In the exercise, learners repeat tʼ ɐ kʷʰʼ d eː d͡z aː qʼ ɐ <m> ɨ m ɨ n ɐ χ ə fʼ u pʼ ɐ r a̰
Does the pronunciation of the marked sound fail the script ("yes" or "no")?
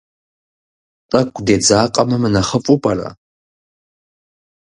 no